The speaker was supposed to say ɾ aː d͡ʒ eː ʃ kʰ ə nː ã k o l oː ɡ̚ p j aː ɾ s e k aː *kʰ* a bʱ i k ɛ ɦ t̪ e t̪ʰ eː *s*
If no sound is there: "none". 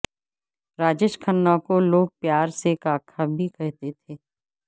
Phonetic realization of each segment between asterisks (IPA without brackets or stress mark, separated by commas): kʰ, none